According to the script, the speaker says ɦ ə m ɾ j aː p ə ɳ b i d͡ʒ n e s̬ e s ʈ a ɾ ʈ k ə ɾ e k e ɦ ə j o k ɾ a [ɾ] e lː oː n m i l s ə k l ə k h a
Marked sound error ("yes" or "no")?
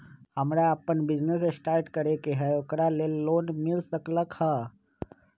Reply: yes